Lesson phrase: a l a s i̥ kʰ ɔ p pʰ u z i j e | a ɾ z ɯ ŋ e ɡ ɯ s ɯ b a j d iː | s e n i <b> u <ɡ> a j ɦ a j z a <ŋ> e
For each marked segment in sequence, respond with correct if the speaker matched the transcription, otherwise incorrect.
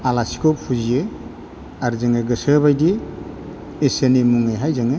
incorrect: m, incorrect: ŋ, correct

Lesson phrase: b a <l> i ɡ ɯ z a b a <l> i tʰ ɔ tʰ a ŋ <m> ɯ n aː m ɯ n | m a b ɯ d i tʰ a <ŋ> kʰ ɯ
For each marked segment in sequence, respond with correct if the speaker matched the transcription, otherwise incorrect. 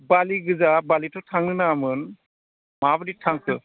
correct, correct, incorrect: n, correct

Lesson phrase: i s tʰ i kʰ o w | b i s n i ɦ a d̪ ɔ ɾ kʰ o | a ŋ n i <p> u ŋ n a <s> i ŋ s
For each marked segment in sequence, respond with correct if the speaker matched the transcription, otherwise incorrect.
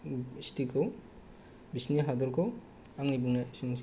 incorrect: b, correct

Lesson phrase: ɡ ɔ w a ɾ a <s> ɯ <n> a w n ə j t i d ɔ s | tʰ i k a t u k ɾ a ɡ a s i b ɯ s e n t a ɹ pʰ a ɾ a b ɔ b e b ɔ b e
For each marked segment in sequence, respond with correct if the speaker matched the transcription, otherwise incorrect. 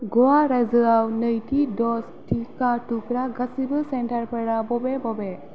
incorrect: z, incorrect: none

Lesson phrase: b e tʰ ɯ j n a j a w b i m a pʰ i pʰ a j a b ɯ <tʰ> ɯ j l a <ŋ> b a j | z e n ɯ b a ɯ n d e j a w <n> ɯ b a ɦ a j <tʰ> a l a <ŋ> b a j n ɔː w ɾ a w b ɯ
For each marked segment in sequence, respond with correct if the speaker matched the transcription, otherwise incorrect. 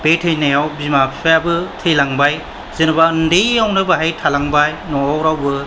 correct, correct, correct, correct, correct

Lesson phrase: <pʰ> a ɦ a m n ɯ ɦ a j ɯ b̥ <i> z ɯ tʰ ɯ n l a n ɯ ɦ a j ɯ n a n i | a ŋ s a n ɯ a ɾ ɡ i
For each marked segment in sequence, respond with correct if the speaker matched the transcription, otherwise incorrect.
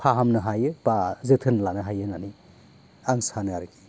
correct, incorrect: a

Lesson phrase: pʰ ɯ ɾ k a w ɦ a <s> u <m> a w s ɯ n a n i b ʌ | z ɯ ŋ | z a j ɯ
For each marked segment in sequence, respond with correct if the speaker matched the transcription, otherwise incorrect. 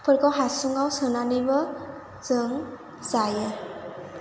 correct, incorrect: ŋ

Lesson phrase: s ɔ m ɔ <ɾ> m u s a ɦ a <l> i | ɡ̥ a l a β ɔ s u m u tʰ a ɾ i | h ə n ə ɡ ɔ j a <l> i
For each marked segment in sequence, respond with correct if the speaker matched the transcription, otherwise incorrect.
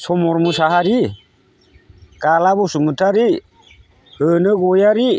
correct, incorrect: ɾ, incorrect: ɾ

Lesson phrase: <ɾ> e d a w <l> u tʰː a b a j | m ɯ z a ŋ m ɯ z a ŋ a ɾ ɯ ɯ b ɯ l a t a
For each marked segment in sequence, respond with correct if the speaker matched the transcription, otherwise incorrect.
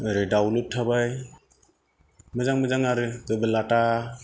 correct, correct

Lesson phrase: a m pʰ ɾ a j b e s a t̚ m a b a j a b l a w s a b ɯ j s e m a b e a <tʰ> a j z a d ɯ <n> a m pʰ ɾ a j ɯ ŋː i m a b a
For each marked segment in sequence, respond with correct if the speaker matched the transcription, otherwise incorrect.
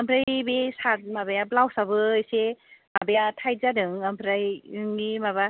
correct, incorrect: ŋ

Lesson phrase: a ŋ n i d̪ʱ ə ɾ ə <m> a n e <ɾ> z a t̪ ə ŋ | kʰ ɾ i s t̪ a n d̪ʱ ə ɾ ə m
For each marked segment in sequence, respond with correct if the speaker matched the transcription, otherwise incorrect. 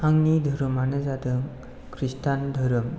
correct, incorrect: none

